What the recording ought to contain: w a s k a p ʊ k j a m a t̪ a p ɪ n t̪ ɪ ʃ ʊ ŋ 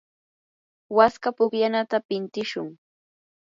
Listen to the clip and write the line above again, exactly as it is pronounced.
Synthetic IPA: w a s k a p ʊ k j a n a t̪ a p ɪ n t̪ ɪ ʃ ʊ ŋ

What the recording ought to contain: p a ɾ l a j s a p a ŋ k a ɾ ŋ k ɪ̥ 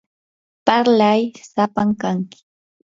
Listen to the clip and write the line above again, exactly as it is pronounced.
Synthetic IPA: p a ɾ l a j s a p a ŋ k a ŋ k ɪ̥

